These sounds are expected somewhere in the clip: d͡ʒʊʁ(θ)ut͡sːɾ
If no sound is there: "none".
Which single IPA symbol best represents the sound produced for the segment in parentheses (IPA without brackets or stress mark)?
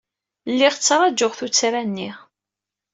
θ